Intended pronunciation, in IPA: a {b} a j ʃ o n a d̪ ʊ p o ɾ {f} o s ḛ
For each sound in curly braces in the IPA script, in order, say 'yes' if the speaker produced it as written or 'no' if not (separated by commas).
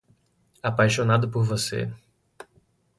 no, no